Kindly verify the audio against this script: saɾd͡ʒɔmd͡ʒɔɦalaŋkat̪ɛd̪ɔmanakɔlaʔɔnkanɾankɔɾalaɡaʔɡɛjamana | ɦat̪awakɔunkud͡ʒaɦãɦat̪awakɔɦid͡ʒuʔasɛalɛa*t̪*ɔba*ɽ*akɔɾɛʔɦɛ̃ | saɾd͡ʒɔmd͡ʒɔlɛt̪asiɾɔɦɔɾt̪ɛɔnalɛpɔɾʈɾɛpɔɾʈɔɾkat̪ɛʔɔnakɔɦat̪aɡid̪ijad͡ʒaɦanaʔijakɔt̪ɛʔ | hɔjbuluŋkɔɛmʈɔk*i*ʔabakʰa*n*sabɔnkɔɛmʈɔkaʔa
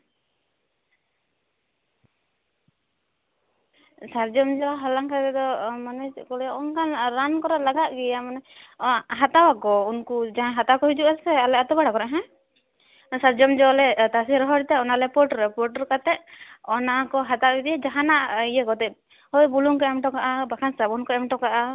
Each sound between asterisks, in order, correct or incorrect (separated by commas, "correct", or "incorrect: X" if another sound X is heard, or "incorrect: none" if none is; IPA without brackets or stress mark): correct, correct, incorrect: a, correct